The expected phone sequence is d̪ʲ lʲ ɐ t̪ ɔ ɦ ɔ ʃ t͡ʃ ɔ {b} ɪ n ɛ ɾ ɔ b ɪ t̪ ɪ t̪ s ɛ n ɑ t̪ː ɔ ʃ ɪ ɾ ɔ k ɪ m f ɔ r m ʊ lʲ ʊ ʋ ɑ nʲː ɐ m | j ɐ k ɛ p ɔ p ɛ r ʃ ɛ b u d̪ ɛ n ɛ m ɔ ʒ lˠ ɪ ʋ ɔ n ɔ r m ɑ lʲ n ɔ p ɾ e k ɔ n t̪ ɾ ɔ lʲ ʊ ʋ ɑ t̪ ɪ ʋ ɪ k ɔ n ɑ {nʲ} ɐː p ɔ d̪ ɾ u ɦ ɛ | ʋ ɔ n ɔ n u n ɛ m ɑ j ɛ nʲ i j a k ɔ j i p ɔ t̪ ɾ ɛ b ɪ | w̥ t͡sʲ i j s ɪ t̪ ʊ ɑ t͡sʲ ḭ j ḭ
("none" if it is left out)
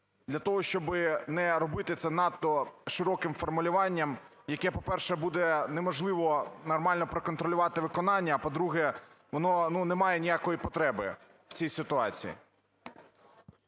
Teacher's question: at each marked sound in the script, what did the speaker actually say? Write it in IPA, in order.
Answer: b, nʲː

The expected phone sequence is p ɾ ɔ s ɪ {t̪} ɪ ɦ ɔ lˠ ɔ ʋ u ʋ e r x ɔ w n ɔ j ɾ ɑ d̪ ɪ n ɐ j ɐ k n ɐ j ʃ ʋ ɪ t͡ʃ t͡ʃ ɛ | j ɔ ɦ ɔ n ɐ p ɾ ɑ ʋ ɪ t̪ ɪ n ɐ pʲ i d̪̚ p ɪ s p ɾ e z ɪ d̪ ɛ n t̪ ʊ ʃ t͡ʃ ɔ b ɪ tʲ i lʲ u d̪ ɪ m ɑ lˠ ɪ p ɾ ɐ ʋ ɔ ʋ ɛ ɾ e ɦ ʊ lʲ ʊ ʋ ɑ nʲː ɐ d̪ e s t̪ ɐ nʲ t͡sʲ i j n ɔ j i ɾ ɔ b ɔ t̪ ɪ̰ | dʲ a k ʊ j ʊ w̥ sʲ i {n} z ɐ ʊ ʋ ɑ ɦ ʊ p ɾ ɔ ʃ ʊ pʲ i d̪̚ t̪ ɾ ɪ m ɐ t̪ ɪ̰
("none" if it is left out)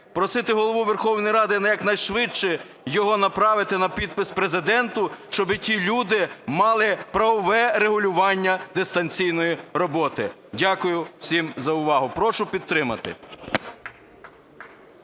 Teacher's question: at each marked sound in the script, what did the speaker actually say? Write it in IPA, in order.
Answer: t̪, m

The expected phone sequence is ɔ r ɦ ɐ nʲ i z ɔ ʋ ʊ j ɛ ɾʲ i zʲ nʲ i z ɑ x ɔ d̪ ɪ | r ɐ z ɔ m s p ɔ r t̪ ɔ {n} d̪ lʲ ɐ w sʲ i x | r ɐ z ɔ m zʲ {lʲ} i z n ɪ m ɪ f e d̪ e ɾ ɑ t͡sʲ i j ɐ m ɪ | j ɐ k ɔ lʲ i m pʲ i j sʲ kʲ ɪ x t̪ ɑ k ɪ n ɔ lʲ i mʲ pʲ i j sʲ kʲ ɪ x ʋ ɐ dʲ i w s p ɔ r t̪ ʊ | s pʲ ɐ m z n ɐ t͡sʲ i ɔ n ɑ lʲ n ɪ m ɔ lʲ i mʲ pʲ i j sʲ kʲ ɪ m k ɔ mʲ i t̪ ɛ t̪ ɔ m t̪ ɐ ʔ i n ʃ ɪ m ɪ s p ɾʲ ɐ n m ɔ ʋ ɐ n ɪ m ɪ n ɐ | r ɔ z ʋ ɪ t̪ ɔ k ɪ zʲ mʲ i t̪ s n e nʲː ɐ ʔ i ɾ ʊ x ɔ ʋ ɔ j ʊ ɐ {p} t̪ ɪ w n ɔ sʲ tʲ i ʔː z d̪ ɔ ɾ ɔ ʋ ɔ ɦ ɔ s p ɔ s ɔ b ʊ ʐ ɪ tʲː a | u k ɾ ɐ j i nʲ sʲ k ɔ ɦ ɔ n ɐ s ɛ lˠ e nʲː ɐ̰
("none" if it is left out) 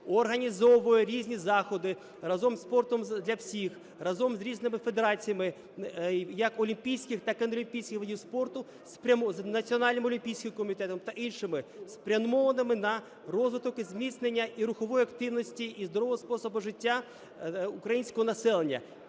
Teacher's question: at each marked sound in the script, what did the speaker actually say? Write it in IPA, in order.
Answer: m, ɾʲ, k

